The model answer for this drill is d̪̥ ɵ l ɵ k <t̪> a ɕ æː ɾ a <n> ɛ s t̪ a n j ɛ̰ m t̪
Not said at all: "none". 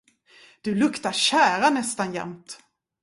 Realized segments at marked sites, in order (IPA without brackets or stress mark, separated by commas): t̪, n